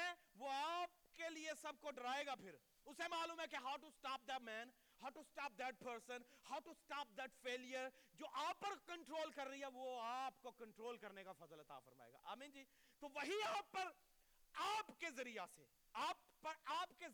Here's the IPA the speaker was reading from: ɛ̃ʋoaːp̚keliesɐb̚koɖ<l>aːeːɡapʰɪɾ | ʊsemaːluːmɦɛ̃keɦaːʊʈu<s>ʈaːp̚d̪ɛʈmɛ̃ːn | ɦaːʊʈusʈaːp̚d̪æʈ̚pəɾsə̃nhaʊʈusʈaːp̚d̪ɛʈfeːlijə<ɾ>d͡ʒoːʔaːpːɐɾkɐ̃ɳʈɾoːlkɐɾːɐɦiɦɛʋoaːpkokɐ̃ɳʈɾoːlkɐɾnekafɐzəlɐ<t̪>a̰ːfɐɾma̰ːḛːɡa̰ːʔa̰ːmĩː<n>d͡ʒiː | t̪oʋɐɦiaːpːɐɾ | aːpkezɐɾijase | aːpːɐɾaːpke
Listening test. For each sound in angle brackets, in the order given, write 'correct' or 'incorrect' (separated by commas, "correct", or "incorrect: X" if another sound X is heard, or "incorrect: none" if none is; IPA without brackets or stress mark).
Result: incorrect: ɾ, correct, correct, correct, correct